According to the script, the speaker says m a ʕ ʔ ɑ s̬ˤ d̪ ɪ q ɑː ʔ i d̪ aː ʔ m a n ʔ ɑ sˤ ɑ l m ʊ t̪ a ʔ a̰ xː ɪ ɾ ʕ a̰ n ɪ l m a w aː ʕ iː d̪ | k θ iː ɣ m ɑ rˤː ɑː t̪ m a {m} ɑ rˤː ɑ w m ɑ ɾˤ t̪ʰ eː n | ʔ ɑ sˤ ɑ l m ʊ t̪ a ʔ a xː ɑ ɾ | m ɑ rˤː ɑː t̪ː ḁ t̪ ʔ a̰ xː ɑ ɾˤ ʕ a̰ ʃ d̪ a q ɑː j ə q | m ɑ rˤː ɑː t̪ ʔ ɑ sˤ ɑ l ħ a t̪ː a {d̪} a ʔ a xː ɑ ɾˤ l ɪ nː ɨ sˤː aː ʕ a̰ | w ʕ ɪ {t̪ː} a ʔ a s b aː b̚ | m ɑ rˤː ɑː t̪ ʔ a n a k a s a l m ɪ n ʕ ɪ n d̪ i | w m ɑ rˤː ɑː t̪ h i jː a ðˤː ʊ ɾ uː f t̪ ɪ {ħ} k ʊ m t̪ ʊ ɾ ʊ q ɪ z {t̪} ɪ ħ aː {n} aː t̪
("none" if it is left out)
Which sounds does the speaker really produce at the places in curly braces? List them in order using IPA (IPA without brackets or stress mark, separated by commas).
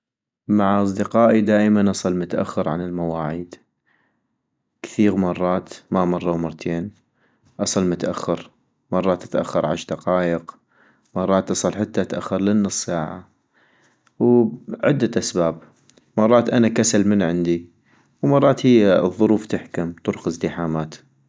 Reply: m, t̪, d̪ː, ħ, d̪, m